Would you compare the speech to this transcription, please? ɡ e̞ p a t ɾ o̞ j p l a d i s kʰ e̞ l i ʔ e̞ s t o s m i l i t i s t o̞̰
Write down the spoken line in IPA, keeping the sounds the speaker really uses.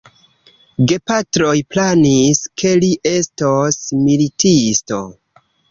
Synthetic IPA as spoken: ɡ e̞ p a t ɾ o̞ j p l a n i s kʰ e̞ l i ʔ e̞ s t o s m i l i t i s t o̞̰